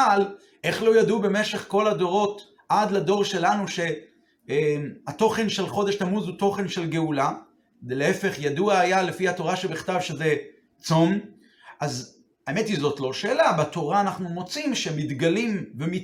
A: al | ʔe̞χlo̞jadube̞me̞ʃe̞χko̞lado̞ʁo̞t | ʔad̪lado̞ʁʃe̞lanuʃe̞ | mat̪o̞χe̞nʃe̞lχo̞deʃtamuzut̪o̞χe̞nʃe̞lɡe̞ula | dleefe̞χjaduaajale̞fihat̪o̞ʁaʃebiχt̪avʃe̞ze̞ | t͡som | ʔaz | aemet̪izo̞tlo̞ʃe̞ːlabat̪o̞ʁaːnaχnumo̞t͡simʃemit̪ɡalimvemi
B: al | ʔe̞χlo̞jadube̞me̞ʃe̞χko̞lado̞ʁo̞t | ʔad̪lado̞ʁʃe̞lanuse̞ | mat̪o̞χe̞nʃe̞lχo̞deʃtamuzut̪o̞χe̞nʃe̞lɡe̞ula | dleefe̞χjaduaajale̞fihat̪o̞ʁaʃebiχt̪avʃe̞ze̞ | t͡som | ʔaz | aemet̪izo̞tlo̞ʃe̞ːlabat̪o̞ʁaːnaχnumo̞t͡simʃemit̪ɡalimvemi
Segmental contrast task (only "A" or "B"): A